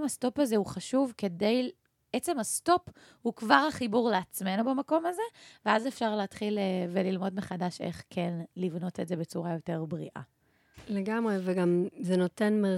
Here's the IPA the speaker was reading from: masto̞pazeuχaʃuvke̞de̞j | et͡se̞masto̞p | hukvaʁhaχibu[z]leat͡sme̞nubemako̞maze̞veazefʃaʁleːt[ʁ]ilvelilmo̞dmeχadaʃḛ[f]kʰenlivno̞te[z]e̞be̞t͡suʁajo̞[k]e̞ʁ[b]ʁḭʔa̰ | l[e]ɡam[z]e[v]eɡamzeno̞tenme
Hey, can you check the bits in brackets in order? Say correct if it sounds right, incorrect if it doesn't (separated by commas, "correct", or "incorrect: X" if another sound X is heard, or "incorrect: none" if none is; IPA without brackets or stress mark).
incorrect: ʁ, incorrect: χ, incorrect: χ, correct, incorrect: t, correct, correct, incorrect: ʁ, correct